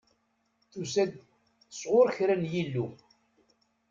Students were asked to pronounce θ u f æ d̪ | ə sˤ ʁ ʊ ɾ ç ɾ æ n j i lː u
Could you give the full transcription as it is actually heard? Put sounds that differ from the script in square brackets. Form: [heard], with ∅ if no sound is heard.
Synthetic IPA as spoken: θ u [s] æ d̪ | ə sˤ ʁ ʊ ɾ ç ɾ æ n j i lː u